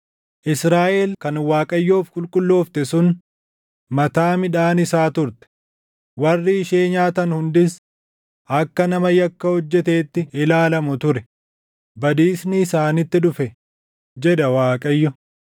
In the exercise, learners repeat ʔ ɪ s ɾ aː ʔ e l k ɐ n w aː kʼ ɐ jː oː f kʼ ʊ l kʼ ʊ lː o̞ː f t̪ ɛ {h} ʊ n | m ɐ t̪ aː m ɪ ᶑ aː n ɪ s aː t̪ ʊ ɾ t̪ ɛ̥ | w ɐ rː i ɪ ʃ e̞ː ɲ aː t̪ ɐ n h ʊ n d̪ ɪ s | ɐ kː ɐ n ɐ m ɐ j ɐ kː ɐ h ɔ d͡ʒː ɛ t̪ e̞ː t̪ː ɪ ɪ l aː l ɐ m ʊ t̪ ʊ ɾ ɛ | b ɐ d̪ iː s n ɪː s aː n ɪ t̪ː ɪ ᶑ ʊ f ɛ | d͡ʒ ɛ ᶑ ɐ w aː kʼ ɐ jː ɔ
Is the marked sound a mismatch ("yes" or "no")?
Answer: yes